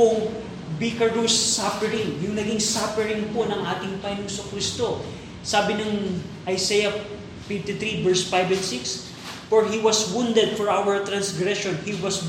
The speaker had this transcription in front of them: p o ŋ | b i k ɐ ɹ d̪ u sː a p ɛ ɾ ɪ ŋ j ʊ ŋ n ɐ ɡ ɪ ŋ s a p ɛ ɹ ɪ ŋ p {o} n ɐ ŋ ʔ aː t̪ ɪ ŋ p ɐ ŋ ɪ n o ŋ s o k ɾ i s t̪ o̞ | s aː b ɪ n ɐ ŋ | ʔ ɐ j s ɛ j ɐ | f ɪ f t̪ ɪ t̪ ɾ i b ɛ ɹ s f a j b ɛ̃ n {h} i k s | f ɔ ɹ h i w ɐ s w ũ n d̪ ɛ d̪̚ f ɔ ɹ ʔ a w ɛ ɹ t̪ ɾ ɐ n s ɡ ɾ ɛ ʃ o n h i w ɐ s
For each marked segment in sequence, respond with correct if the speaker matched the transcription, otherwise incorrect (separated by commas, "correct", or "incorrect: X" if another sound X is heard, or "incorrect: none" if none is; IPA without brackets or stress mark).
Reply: correct, incorrect: s